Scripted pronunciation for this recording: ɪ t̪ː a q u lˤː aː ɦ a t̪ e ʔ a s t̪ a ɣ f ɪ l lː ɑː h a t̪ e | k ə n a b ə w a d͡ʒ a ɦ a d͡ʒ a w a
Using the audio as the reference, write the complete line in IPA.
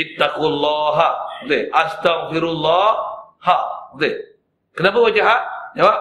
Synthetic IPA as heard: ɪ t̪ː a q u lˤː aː ɦ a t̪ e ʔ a s t̪ a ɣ f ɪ ɾ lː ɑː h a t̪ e | k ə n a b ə w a d͡ʒ a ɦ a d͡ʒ a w a